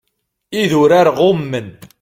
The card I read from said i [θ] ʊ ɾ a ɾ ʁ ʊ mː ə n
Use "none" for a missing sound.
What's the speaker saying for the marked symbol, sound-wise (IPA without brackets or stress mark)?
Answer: ð